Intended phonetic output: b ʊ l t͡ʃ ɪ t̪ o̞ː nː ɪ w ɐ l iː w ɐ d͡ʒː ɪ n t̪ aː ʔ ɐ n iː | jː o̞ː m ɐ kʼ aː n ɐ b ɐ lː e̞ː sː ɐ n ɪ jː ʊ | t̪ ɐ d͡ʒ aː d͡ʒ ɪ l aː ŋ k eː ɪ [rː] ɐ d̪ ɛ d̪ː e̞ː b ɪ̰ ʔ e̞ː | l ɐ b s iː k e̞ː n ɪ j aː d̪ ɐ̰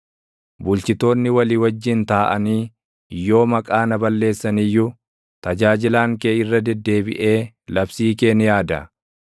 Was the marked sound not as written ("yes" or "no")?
no